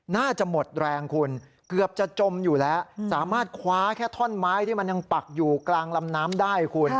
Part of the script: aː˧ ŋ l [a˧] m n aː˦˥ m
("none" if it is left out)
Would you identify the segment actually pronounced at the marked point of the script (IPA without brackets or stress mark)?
a˧